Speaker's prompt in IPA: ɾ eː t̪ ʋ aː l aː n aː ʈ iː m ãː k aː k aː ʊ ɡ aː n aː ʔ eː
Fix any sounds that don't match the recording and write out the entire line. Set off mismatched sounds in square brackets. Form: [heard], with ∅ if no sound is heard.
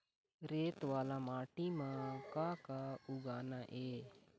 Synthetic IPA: ɾ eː t̪ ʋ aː l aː [m] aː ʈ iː m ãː k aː k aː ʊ ɡ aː n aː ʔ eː